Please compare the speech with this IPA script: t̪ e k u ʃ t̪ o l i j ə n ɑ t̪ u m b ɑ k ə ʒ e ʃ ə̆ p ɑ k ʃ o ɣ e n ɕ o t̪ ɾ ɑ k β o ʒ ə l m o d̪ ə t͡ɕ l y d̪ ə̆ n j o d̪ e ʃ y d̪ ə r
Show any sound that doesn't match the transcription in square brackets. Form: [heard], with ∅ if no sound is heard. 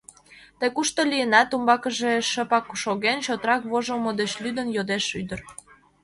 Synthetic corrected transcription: t̪ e k u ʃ t̪ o l i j ə n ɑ t̪ u m b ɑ k ə ʒ e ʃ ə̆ p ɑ k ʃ o ɣ e n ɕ o t̪ ɾ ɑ k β o ʒ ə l m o d̪ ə t͡ɕ l y d̪ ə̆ n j o d̪ e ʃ y d̪ ə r